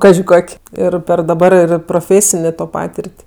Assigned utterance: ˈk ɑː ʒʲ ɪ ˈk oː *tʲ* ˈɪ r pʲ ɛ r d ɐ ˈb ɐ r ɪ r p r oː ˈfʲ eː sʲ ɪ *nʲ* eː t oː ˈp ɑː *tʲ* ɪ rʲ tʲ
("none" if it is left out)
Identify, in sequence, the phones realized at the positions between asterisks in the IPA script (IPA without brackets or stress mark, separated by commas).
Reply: kʲ, nʲ, tʲ